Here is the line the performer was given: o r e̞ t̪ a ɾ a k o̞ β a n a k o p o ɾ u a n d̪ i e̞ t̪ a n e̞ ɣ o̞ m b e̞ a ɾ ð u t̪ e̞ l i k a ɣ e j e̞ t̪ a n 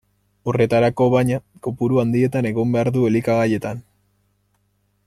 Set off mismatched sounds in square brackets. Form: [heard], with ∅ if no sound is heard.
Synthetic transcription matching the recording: o r e̞ t̪ a ɾ a k o̞ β a [ɲ] a k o p [u] ɾ u a n d̪ i e̞ t̪ a n e̞ ɣ o̞ m b e̞ a ɾ ð u [∅] e̞ l i k a ɣ [a] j e̞ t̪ a n